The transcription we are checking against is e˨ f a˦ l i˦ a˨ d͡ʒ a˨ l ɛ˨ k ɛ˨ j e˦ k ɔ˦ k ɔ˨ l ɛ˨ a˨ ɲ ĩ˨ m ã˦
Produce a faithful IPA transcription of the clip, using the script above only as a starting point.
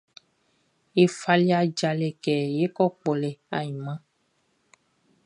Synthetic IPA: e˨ f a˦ l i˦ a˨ d͡ʒ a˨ l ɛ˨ k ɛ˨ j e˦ k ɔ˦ k͡p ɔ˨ l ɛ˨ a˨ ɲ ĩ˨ m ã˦